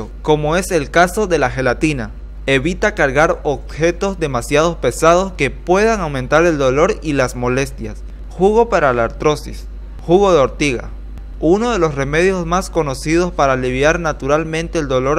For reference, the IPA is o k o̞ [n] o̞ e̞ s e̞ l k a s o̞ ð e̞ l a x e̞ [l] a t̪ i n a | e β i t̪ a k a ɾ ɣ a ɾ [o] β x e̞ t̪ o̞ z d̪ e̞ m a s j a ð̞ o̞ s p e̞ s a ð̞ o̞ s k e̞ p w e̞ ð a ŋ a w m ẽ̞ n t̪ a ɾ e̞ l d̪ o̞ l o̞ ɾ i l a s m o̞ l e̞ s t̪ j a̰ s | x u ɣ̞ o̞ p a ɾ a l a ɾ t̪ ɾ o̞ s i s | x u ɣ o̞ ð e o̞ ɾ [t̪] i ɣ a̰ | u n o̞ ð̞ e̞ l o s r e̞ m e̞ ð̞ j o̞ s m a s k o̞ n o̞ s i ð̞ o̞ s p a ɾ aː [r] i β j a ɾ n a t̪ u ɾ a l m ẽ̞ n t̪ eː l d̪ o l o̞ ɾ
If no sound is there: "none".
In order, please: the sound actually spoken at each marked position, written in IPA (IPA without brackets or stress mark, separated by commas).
m, l, o, t̪, l